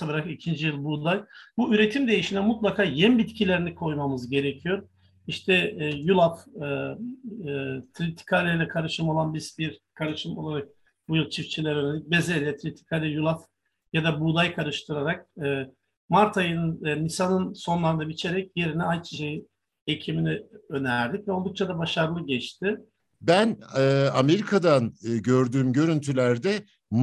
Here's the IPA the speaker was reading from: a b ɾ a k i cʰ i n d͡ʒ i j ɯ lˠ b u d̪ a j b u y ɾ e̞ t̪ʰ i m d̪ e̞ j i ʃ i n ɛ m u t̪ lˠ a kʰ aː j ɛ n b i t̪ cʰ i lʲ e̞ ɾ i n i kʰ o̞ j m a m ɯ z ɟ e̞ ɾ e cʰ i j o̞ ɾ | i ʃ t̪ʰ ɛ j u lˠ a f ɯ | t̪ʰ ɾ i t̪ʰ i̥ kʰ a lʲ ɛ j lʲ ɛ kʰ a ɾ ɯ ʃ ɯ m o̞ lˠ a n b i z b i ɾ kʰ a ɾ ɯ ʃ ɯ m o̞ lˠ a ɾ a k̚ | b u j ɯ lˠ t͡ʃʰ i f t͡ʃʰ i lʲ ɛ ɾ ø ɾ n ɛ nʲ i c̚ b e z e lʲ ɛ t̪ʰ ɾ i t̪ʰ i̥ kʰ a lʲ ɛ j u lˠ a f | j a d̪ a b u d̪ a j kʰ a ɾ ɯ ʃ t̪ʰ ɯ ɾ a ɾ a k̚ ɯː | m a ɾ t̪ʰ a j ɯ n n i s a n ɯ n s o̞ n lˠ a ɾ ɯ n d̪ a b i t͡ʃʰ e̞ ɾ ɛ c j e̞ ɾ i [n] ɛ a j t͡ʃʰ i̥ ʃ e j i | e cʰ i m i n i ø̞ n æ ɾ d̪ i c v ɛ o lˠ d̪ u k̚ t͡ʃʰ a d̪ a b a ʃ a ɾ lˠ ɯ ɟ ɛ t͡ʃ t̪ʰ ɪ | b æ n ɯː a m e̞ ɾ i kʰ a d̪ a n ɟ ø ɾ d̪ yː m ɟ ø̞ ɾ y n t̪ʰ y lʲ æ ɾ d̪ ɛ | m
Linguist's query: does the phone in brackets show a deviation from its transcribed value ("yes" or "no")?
no